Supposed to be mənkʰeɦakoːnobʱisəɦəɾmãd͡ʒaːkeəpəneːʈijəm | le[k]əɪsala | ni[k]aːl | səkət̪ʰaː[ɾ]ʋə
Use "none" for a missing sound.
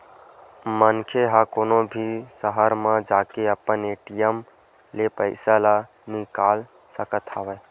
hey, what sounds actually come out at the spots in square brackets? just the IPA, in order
p, k, none

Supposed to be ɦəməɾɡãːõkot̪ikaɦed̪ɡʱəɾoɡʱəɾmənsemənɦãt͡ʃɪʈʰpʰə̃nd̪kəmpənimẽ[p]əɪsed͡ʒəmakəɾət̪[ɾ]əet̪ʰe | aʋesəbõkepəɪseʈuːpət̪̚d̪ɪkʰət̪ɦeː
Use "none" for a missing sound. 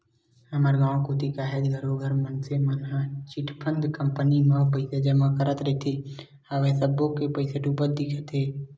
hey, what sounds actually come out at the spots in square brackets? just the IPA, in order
p, ɾ

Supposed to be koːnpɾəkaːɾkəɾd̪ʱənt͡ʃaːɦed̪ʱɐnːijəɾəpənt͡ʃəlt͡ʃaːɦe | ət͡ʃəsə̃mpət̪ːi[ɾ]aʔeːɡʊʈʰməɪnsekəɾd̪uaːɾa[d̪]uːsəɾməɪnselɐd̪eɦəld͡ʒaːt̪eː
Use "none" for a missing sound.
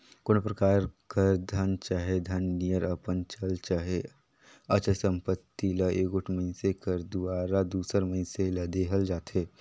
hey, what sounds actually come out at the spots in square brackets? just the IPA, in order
l, d̪

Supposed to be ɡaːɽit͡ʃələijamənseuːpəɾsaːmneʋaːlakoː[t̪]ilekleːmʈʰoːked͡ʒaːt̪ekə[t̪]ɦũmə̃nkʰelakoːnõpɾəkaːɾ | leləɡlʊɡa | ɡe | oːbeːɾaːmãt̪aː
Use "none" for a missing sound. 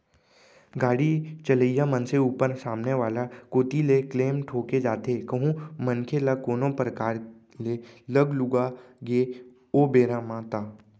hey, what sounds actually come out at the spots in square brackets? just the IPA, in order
t̪, none

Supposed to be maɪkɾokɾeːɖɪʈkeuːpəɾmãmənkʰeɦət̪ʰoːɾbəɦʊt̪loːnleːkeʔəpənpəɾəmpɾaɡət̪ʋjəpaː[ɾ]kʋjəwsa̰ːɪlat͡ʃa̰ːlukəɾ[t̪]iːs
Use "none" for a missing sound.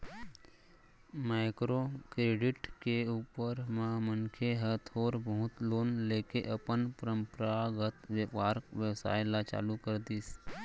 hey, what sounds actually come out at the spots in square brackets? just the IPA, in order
ɾ, d̪

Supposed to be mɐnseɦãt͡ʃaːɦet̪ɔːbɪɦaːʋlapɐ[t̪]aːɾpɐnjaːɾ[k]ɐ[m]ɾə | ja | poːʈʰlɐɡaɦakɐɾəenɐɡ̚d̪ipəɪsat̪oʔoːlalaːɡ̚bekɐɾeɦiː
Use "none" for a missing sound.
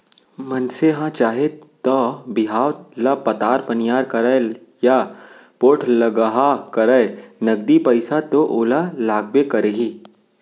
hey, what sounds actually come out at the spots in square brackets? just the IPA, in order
t̪, k, none

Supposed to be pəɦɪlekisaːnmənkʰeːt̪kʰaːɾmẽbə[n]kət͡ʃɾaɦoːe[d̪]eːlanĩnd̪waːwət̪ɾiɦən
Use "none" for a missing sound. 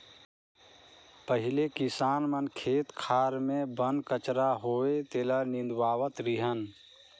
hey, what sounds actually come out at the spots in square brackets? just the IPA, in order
n, t̪

